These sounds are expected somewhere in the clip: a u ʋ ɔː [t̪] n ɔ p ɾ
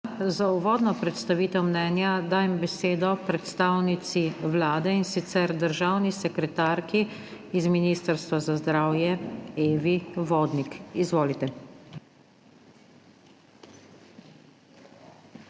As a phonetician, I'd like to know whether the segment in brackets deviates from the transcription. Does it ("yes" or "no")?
yes